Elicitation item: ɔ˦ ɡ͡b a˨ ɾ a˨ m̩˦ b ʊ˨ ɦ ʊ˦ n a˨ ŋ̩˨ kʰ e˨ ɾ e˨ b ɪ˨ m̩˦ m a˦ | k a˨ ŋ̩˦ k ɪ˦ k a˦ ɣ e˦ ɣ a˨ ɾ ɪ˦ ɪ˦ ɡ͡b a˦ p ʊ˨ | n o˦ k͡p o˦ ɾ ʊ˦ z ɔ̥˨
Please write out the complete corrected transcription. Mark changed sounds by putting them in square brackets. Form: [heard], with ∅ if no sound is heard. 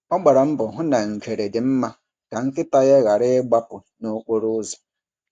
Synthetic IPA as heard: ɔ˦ ɡ͡b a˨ ɾ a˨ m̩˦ b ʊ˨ ɦ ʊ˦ n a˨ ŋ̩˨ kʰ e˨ ɾ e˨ [d] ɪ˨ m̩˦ m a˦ | k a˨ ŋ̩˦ k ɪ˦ [t] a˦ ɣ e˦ ɣ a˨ ɾ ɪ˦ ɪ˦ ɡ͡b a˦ p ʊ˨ | n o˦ k͡p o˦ ɾ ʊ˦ z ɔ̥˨

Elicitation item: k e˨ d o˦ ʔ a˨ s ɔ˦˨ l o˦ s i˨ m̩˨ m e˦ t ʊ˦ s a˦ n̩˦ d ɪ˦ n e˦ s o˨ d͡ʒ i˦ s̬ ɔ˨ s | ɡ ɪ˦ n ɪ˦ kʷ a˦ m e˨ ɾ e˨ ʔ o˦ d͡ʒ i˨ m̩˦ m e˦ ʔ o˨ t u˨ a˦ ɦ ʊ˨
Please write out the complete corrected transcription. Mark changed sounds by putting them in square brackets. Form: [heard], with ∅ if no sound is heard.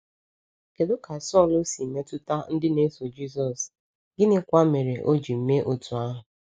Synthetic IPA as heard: k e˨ d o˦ [k] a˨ s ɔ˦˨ l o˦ s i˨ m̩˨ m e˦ t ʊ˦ [t] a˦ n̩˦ d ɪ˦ n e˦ s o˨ d͡ʒ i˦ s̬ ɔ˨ s | ɡ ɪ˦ n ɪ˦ kʷ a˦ m e˨ ɾ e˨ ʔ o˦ d͡ʒ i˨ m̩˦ m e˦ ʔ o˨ t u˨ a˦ ɦ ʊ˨

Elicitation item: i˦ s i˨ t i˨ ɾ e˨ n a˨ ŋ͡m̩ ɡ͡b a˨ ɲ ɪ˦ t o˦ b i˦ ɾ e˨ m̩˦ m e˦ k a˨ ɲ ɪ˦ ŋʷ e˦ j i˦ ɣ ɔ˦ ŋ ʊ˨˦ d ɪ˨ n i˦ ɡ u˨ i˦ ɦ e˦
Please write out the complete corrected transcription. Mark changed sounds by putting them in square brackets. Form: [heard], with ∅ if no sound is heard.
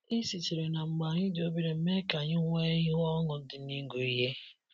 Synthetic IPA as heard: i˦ s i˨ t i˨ ɾ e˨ n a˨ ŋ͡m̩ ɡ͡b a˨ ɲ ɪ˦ [d] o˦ b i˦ ɾ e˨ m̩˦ m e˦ k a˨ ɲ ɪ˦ ŋʷ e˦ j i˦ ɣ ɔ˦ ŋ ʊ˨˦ d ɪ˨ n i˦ ɡ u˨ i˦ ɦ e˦

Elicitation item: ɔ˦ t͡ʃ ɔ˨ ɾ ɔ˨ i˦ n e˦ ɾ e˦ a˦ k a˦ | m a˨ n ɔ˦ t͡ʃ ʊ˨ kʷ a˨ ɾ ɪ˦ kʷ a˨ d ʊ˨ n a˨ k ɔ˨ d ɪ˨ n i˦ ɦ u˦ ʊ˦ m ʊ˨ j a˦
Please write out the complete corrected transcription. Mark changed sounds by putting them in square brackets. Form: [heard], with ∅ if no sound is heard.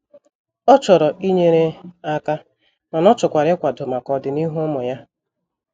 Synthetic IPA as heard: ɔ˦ t͡ʃ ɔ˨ ɾ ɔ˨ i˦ [ɲ] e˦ ɾ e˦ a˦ k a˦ | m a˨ n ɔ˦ t͡ʃ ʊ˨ kʷ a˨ ɾ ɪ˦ kʷ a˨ d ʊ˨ [m] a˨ k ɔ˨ d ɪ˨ n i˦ ɦ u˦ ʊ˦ m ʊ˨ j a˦

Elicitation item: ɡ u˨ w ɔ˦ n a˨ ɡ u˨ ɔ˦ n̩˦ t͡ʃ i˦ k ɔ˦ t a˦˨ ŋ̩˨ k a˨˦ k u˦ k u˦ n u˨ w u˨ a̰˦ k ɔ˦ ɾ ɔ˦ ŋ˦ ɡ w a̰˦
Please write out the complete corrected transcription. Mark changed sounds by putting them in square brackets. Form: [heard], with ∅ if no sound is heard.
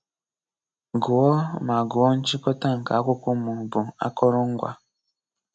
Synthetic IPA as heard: ɡ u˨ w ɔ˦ [m] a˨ ɡ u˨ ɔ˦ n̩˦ t͡ʃ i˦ k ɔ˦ t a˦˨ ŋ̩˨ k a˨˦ k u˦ k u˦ [m] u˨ [b] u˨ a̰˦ k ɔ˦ ɾ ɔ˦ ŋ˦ ɡ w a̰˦

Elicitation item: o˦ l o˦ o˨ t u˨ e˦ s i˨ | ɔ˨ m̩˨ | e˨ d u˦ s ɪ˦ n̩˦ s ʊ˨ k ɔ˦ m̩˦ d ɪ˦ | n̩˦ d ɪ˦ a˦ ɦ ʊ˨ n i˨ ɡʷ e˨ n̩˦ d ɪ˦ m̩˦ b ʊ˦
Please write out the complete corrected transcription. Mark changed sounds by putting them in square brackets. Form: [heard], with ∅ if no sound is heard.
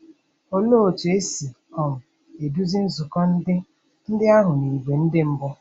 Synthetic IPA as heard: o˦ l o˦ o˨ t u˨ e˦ s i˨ | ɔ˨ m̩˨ | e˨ d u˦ [z] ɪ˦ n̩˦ [z] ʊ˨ k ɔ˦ [n̩˦] d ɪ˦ | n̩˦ d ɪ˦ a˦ ɦ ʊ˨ n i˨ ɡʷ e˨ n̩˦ d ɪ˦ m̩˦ b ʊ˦

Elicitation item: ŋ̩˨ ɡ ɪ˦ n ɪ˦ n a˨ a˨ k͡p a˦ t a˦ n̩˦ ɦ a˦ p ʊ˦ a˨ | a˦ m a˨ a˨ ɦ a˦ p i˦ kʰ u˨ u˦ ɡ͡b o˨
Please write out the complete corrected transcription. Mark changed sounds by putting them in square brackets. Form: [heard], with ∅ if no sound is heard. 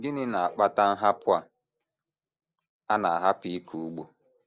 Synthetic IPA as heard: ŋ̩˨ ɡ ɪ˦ n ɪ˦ n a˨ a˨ k͡p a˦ t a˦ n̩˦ ɦ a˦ p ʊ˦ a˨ | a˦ [n] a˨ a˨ ɦ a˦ p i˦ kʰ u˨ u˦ ɡ͡b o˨

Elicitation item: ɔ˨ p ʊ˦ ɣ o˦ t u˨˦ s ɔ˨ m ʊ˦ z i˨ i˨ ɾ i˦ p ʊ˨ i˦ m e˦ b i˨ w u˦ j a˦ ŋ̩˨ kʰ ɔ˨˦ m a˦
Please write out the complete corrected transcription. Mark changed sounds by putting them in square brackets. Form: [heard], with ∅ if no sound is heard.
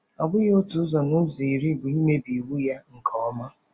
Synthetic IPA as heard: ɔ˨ [b] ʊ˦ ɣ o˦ t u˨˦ [z] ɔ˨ [n] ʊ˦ z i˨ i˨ ɾ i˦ [b] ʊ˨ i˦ m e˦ b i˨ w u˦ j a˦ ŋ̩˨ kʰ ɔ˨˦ m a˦

